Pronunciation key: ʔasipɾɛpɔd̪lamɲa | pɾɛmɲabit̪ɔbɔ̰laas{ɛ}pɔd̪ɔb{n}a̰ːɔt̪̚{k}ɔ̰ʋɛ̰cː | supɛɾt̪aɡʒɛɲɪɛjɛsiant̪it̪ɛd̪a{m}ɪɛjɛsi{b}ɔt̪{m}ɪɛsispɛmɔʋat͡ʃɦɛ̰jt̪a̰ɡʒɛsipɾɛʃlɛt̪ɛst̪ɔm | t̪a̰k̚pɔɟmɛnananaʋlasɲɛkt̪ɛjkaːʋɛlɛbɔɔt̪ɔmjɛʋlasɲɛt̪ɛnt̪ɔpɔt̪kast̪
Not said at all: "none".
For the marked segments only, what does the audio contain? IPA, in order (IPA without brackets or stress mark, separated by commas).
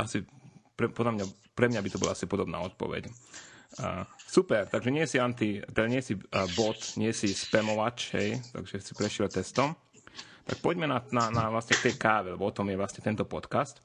i, n, p, ɲ, b, ɲ